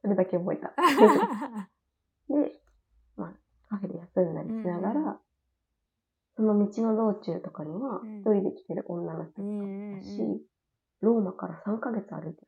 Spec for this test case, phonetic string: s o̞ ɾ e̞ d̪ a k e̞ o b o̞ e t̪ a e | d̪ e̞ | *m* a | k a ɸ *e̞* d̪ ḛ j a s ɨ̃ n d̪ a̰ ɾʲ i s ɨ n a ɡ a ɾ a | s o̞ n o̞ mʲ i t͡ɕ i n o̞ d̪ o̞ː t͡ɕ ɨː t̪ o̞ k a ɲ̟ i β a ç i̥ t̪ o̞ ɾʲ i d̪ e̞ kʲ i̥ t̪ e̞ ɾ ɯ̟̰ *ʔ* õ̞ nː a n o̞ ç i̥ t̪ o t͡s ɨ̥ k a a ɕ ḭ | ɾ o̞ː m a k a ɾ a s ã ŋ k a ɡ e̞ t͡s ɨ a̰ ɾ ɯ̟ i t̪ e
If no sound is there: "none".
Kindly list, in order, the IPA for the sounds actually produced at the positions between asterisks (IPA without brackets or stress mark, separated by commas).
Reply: m, e̞, ʔ